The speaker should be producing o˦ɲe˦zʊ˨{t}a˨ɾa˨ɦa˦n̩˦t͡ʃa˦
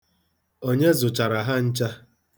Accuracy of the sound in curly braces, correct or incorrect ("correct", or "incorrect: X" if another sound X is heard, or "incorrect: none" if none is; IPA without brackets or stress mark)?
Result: incorrect: t͡ʃ